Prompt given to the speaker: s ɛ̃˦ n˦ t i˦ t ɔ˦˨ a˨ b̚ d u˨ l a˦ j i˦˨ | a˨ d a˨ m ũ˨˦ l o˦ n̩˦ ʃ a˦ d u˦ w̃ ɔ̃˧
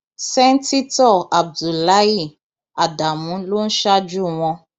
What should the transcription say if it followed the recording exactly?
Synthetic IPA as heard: s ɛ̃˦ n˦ t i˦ t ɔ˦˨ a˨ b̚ d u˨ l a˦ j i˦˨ | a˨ d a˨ m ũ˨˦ l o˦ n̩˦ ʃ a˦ d͡ʒ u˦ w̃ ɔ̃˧